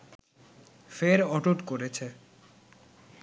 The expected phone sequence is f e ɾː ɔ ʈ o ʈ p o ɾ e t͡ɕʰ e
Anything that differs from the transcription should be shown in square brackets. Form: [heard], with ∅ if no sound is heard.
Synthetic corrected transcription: f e [ɾ] ɔ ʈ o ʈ [k] o ɾ e t͡ɕʰ e